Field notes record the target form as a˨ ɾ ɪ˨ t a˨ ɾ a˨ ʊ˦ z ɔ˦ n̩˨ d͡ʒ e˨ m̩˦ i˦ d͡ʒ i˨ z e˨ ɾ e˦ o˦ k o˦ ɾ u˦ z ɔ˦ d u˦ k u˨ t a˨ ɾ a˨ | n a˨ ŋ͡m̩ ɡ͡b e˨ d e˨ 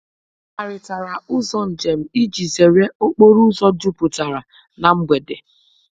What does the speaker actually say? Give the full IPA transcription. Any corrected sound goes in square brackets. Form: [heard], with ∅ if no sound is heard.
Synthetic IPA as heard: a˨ ɾ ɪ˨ t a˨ ɾ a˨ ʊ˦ z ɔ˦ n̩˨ d͡ʒ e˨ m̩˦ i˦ d͡ʒ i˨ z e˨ ɾ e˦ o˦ [k͡p] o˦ ɾ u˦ z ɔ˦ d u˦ [p] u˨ t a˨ ɾ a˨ | n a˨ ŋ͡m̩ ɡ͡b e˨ d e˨